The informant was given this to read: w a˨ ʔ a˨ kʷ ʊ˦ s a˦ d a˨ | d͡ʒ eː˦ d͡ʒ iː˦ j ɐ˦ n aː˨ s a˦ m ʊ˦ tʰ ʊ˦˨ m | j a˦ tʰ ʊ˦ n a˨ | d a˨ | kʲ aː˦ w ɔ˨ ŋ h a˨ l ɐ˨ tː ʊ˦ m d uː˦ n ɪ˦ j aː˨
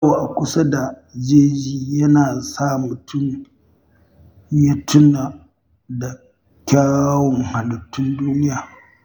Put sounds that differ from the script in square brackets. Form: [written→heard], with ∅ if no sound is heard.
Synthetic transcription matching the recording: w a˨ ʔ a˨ kʷ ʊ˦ s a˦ d a˨ | d͡ʒ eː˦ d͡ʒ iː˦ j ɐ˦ n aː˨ s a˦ m [ʊ˦→ʊ˨] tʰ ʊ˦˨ m | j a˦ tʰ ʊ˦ n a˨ | d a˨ | kʲ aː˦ w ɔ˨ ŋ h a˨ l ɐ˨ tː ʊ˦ [m→n] d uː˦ n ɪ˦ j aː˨